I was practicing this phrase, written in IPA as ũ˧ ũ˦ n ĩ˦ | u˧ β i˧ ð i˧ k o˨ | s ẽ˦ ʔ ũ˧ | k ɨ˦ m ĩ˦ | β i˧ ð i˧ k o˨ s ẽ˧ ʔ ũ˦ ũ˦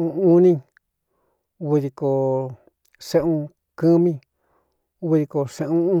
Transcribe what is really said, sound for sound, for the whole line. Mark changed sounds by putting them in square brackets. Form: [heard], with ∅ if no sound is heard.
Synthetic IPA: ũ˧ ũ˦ n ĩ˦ | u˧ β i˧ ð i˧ k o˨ | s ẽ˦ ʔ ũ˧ | k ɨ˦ m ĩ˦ | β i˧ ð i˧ k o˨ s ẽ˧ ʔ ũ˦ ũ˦